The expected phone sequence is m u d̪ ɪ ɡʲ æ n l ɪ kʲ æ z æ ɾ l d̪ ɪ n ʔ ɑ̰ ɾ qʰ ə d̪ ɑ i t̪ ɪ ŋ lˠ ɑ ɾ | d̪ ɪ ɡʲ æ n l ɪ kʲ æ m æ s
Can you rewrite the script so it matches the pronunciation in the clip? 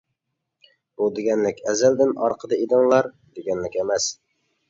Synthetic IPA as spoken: b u d̪ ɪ ɡʲ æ n l ɪ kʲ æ z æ l d̪ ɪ n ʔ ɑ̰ ɾ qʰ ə d̪ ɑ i d̪ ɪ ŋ lˠ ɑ ɾ | d̪ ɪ ɡʲ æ n l ɪ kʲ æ m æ s